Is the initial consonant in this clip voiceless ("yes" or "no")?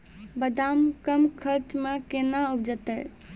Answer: no